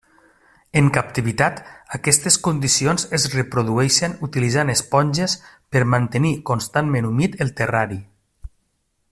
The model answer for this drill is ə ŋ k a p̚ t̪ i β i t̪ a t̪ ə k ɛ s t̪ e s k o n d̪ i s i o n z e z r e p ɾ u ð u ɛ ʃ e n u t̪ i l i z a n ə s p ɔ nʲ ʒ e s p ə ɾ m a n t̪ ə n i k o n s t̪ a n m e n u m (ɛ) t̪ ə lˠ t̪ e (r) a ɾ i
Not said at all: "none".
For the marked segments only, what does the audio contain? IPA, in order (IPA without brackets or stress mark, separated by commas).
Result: i, r